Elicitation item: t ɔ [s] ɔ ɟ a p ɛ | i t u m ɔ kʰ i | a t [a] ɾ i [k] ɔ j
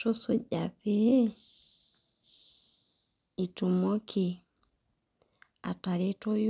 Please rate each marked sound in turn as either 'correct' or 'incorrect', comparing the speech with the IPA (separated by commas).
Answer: correct, correct, incorrect